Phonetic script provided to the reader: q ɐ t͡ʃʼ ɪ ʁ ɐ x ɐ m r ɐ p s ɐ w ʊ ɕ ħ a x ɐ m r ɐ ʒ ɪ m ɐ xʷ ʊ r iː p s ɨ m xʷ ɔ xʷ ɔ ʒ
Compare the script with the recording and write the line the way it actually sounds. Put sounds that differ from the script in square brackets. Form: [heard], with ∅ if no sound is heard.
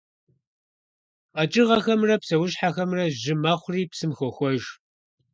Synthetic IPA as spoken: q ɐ t͡ʃʼ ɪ ʁ ɐ x ɐ m r ɐ p s ɐ w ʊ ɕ ħ a x ɐ m r ɐ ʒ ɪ m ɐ [χʷ] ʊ r iː p s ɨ m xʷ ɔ xʷ ɔ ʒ